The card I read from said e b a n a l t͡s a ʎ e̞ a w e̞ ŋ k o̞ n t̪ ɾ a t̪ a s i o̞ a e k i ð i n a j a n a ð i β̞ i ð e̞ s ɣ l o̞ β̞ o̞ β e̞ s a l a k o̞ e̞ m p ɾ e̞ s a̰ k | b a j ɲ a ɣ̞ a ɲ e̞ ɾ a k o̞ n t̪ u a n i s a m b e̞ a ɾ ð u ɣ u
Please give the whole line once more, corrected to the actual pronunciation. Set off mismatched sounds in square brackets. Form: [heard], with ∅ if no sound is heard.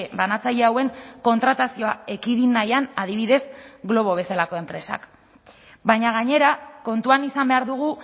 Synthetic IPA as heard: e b a n a [∅] t͡s a ʎ e̞ a w e̞ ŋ k o̞ n t̪ ɾ a t̪ a s i o̞ a e k i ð i n a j a n a ð i β̞ i ð e̞ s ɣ l o̞ β̞ o̞ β e̞ s a l a k o̞ e̞ m p ɾ e̞ s a̰ k | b a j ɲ a ɣ̞ a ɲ e̞ ɾ a k o̞ n t̪ u a n i s a m b e̞ a ɾ ð u ɣ u